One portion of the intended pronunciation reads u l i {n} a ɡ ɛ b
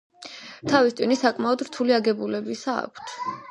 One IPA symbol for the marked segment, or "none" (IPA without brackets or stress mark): none